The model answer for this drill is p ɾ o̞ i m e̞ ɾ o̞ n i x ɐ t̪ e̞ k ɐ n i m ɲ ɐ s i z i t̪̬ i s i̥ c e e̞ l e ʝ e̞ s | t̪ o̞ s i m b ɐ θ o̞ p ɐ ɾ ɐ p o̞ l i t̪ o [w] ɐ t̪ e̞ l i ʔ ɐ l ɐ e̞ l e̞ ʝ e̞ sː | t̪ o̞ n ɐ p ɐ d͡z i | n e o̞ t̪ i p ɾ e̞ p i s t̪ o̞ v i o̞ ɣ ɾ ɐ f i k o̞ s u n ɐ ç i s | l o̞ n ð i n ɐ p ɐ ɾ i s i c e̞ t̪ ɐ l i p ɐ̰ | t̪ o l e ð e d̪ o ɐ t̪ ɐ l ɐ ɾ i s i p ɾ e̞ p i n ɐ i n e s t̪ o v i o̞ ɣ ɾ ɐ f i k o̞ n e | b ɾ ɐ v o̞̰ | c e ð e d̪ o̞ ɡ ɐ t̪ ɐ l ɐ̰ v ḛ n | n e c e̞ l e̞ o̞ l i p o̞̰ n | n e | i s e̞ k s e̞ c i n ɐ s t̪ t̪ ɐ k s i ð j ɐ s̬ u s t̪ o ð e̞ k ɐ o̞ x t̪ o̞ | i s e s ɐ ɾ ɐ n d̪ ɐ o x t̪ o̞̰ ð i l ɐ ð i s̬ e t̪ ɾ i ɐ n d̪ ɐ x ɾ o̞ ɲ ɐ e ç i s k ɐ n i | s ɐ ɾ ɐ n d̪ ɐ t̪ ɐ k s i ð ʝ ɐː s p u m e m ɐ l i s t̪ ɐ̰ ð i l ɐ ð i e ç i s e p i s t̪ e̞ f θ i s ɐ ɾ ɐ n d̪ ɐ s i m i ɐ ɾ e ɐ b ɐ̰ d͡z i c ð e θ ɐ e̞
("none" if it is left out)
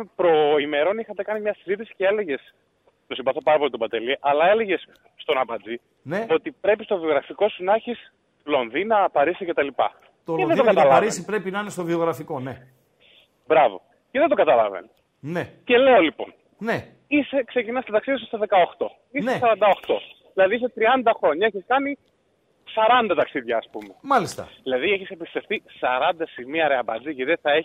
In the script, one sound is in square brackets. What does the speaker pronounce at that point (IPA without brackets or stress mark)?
b